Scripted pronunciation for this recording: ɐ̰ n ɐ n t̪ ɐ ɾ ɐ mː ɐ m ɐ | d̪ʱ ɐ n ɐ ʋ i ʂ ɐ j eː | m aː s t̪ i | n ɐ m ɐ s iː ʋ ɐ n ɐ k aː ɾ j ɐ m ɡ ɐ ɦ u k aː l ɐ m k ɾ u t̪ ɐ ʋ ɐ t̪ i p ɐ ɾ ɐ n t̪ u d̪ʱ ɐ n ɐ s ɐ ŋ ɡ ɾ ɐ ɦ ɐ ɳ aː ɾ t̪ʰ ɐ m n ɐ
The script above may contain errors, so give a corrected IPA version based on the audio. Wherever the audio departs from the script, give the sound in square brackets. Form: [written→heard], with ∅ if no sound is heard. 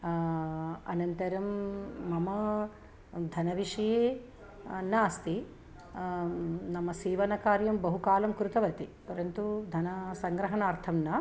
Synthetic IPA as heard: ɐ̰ n ɐ n t̪ ɐ ɾ ɐ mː ɐ m ɐ | d̪ʱ ɐ n ɐ ʋ i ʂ ɐ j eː | [m→n] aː s t̪ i | n ɐ m ɐ s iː ʋ ɐ n ɐ k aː ɾ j ɐ m [ɡ→b] ɐ ɦ u k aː l ɐ m k ɾ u t̪ ɐ ʋ ɐ t̪ i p ɐ ɾ ɐ n t̪ u d̪ʱ ɐ n ɐ s ɐ ŋ ɡ ɾ ɐ ɦ ɐ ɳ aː ɾ t̪ʰ ɐ m n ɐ

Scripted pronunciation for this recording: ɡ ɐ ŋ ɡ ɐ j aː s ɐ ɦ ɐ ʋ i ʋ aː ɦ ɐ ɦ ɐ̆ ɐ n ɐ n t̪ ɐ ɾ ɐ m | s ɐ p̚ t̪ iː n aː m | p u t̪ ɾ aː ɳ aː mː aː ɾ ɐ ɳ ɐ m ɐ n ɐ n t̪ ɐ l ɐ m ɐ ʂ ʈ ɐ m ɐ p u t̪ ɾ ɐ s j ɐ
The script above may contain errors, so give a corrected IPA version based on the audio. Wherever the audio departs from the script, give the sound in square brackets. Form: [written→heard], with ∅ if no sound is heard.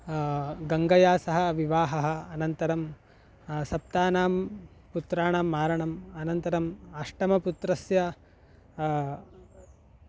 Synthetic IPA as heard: ɡ ɐ ŋ ɡ ɐ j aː s ɐ ɦ ɐ ʋ i ʋ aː ɦ ɐ ɦ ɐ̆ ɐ n ɐ n t̪ ɐ ɾ ɐ m | s ɐ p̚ t̪ [iː→aː] n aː m | p u t̪ ɾ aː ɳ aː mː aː ɾ ɐ ɳ ɐ m ɐ n ɐ n t̪ ɐ [l→ɾ] ɐ m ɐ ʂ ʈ ɐ m ɐ p u t̪ ɾ ɐ s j ɐ

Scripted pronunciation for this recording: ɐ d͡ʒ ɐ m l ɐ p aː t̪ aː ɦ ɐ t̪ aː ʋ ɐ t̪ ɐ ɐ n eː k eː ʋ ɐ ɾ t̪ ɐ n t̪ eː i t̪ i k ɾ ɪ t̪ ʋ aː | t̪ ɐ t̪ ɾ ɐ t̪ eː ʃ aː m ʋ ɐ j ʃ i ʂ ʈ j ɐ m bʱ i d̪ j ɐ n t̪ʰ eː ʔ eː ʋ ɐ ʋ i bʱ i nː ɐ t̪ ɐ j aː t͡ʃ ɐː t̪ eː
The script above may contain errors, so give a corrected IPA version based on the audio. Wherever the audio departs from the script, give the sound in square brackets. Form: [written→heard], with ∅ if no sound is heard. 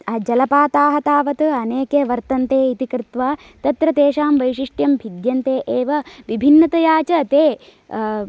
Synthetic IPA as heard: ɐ d͡ʒ ɐ [m→∅] l ɐ p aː t̪ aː ɦ ɐ t̪ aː ʋ ɐ t̪ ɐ ɐ n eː k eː ʋ ɐ ɾ t̪ ɐ n t̪ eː i t̪ i k ɾ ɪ t̪ ʋ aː | t̪ ɐ t̪ ɾ ɐ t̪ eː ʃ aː m ʋ ɐ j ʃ i ʂ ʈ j ɐ m bʱ i d̪ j ɐ n [t̪ʰ→t̪] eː ʔ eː ʋ ɐ ʋ i bʱ i nː ɐ t̪ ɐ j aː t͡ʃ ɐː t̪ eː

